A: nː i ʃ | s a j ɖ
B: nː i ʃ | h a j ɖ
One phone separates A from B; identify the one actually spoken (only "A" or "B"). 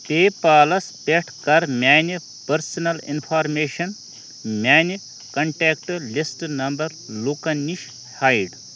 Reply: B